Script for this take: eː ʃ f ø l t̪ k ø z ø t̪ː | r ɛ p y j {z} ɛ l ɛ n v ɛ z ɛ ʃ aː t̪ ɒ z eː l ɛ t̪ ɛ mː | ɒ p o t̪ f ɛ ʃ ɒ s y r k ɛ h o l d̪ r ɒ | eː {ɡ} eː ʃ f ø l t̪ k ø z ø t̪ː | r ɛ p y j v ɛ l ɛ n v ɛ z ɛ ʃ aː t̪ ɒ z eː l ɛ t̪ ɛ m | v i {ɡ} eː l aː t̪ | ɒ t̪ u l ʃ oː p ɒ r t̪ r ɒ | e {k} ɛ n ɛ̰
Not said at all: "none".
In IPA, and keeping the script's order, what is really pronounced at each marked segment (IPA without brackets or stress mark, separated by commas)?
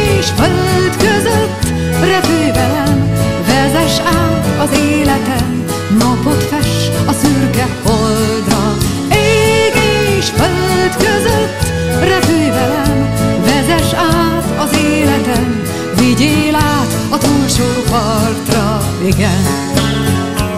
v, ɡ, ɟ, ɡ